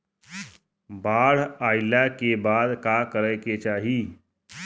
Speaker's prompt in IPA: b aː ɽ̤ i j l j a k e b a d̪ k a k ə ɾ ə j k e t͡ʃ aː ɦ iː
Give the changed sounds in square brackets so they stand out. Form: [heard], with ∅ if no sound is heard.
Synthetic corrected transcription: b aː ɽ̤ [a] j l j a k e b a d̪ k a k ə ɾ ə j k e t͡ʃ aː ɦ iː